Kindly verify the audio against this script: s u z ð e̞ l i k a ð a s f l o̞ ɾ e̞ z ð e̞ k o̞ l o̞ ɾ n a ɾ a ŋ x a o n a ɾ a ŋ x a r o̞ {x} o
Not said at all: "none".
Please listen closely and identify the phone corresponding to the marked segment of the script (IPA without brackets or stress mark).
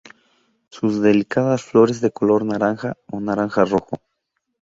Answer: x